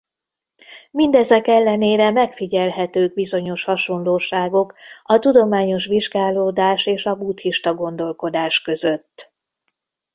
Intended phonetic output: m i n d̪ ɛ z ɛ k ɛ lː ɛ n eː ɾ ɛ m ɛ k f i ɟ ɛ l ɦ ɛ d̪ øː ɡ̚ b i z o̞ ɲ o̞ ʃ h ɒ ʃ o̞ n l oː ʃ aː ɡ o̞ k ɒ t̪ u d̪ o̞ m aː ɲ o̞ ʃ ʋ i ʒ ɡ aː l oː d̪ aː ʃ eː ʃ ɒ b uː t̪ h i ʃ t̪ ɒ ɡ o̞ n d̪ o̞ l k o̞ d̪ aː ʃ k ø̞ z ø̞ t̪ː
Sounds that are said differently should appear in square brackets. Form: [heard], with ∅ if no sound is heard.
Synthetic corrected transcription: m i n d̪ ɛ z ɛ k ɛ lː ɛ n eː ɾ ɛ m ɛ k f i ɟ ɛ l ɦ ɛ [t̪] øː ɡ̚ b i z o̞ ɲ o̞ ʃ h ɒ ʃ o̞ n l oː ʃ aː ɡ o̞ k ɒ t̪ u d̪ o̞ m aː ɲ o̞ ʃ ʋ i ʒ ɡ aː l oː d̪ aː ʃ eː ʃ ɒ b uː t̪ h i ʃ t̪ ɒ ɡ o̞ n d̪ o̞ l k o̞ d̪ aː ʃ k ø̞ z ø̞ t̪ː